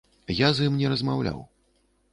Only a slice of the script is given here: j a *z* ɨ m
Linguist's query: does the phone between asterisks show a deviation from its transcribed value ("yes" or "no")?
no